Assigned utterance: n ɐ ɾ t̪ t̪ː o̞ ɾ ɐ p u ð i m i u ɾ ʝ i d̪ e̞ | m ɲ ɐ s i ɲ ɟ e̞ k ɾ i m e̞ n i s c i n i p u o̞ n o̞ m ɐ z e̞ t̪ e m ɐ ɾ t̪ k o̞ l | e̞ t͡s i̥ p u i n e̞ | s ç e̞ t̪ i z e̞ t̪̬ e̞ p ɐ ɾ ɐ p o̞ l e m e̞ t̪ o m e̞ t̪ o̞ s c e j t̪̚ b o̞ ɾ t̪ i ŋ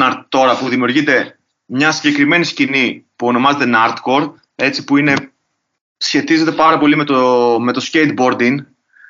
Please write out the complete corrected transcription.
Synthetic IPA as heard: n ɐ ɾ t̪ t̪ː o̞ ɾ ɐ p u ð i m i u ɾ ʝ i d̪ e̞ | m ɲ ɐ s i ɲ ɟ e̞ k ɾ i m e̞ n i s c i n i p u o̞ n o̞ m ɐ z e̞ t̪ e n ɐ ɾ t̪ k o̞ ɾ | e̞ t͡s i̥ p u i n e̞ | s ç e̞ t̪ i z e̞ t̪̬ e̞ p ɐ ɾ ɐ p o̞ l i m e̞ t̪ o m e̞ t̪ o̞ s c e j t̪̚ b o̞ ɾ d̪ i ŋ